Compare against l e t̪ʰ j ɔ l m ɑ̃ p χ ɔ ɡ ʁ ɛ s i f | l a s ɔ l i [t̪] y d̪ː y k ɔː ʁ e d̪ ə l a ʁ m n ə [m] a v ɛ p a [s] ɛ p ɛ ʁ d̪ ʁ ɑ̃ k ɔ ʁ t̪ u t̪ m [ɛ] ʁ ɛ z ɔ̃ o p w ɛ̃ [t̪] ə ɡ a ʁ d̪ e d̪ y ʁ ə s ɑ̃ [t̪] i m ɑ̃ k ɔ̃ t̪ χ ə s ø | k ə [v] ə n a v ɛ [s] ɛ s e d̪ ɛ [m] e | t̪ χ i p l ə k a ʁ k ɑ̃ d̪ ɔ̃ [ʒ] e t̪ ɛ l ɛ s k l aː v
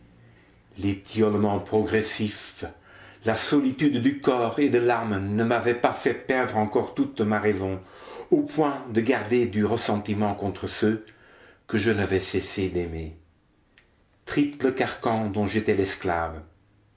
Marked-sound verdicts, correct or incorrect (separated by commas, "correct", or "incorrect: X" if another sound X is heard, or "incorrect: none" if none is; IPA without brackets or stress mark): correct, correct, incorrect: f, incorrect: a, incorrect: d̪, correct, incorrect: ʒ, correct, correct, correct